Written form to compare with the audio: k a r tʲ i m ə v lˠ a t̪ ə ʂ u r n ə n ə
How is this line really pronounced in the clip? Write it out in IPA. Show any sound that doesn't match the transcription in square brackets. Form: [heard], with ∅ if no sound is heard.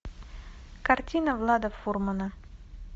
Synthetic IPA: k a r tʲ i [n] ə v lˠ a [d̪] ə [f] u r [m] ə n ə